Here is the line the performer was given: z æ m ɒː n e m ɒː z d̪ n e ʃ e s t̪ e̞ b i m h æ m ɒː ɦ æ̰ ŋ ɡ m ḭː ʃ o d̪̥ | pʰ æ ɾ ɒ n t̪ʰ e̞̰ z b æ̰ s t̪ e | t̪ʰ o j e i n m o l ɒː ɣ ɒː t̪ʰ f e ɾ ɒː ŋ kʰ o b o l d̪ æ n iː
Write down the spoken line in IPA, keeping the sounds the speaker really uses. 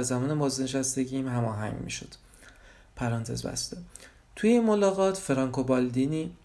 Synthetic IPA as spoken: z æ m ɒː n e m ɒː z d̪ n e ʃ æ s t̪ e̞ ɟ i m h æ m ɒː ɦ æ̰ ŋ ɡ m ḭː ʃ o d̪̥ | pʰ æ ɾ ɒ n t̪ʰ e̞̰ z b æ̰ s t̪ e | t̪ʰ u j e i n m o l ɒː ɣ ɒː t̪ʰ f e ɾ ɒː ŋ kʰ o b ɒ l d̪ i n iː